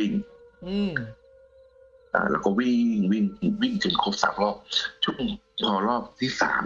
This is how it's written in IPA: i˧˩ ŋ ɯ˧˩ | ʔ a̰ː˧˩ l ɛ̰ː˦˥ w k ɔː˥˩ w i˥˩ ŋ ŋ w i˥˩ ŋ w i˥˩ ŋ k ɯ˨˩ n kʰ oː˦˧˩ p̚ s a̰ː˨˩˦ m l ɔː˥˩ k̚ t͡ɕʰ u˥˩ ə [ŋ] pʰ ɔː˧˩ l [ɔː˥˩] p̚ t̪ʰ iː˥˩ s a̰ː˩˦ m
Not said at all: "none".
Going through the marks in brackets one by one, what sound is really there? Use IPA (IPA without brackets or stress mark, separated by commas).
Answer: ŋ, ɔː˥˩